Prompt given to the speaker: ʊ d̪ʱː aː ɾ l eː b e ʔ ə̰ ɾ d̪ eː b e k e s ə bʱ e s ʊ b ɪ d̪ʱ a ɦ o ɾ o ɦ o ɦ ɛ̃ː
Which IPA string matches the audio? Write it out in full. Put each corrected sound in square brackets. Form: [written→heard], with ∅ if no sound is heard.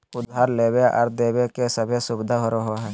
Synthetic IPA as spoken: ʊ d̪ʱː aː ɾ l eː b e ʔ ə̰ ɾ d̪ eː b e k e s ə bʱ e s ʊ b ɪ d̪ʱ a ɦ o ɾ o ɦ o ɦ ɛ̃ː